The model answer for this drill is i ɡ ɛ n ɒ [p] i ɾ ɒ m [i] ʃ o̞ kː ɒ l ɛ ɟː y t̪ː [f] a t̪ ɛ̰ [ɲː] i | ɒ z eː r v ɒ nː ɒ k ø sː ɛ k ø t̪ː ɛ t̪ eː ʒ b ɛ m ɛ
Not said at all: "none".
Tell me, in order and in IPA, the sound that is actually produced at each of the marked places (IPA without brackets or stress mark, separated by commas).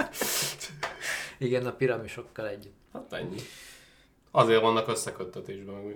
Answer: p, i, h, ɲː